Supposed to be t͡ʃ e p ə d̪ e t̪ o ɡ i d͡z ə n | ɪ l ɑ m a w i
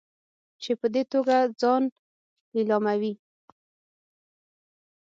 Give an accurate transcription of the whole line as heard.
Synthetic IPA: t͡ʃ e p ə d̪ e t̪ o ɡ a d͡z ɑ n | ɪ l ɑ m a w i

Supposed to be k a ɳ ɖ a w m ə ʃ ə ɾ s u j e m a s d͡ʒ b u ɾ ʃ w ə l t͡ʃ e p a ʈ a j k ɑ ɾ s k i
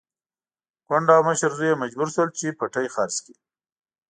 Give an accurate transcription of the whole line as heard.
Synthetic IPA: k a ɳ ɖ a w m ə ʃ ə ɾ z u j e m a d͡ʒ b u ɾ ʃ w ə l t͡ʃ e p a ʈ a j x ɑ ɾ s k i

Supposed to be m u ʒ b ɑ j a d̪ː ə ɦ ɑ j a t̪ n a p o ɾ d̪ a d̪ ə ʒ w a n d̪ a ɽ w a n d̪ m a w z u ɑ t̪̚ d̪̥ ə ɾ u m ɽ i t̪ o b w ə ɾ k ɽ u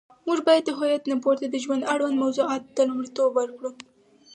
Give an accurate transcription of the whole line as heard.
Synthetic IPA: m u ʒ b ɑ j a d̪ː ə ɦ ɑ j a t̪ n a p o ɾ t̪ a d̪ ə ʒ w a n d̪ a ɽ w a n d̪ m a w z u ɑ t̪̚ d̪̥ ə l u m ɽ i t̪ o b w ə ɾ k ɽ u

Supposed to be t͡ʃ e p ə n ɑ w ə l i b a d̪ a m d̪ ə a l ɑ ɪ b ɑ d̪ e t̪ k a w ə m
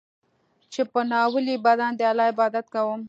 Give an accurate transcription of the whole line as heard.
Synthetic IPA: t͡ʃ e p ə n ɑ w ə l i b a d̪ a n d̪ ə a l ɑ ɪ b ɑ d̪ a t̪ k a w ə m

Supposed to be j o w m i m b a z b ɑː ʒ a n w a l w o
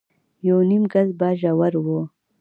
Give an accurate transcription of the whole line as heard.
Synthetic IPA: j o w n i m ɡ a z b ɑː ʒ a w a ɾ w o

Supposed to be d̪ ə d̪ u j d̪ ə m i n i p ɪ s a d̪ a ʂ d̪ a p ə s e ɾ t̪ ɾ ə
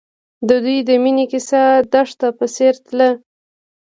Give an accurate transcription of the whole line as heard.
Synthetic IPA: d̪ ə d̪ u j d̪ ə m i n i k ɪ s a d̪ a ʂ t̪ a p ə s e ɾ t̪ l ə

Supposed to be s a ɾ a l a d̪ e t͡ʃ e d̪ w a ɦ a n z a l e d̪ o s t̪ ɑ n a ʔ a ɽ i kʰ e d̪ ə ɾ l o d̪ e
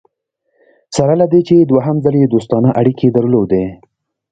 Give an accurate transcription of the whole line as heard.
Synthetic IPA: s a ɾ a l a d̪ e t͡ʃ e d̪ w a ɦ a m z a l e d̪ o s t̪ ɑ n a ʔ a ɽ i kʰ e d̪ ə ɾ l o d̪ e

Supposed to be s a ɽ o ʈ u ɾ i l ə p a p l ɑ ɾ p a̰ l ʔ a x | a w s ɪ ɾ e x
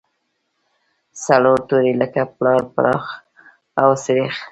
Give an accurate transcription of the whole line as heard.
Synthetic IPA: s a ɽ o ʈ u ɾ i l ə k a p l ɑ ɾ p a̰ ɾ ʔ ɑ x | a w s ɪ ɾ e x

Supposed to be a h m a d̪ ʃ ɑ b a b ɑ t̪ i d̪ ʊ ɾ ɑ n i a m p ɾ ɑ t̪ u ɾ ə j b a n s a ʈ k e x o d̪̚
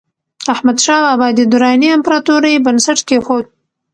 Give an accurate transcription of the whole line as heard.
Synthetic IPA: a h m a d̪ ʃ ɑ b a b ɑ d̪ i d̪ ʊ ɾ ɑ n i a m p ɾ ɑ t̪ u ɾ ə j b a n s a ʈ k e x o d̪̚

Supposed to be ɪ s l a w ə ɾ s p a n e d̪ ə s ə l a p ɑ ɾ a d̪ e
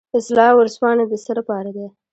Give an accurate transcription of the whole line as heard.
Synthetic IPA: ɪ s l ɑ w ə ɾ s p ɑ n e d̪ ə s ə l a p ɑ ɾ a d̪ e

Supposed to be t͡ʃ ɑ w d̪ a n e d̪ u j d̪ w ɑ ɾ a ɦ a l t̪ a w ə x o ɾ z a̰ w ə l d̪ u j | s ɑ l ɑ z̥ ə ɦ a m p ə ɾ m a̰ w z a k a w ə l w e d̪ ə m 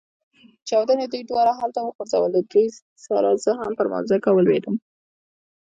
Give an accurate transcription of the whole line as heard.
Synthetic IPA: t͡ʃ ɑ w d̪ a n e d̪ u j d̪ w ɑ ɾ a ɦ a l t̪ a w ə x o ɾ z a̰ w ə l d̪ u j | s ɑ l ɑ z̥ ə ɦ a m p ə ɾ m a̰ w z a k a w ə l w e d̪ ə m

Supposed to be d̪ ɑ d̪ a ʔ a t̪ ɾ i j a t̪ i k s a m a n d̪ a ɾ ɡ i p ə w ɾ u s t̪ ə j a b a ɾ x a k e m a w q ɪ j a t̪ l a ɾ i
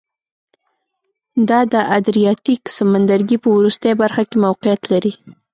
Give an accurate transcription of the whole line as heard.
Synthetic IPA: d̪ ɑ d̪ ə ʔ a d̪ ɾ i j ɑ t̪ i k s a m a n d̪ a ɾ ɡ i p ə w ɾ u s t̪ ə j a b a ɾ x a k e m a w q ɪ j a t̪ l a ɾ i

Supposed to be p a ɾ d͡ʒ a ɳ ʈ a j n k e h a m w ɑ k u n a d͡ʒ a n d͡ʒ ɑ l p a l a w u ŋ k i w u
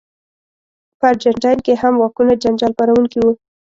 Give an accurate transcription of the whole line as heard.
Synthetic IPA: p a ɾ d͡ʒ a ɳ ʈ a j n k e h a m w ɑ k u n a d͡ʒ a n d͡ʒ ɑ l p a ɾ a w u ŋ k i w u

